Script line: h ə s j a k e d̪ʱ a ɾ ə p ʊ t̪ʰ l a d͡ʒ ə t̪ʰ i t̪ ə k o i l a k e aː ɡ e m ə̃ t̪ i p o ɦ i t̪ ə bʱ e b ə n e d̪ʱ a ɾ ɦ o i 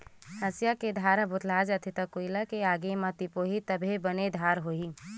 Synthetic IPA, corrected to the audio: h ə s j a k e d̪ʱ a ɾ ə b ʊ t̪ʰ l a d͡ʒ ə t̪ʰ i t̪ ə k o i l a k e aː ɡ e m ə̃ t̪ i p o ɦ i t̪ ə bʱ e b ə n e d̪ʱ a ɾ ɦ o i